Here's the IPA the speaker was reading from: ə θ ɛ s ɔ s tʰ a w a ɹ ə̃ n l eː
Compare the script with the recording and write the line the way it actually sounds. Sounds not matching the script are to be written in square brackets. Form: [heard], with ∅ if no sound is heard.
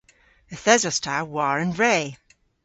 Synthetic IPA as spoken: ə θ ɛ [z] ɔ s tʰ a w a ɹ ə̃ n [ɹ] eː